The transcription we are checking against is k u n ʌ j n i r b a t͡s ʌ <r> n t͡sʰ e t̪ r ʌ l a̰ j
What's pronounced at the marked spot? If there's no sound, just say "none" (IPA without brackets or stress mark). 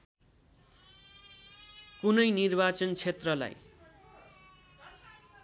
none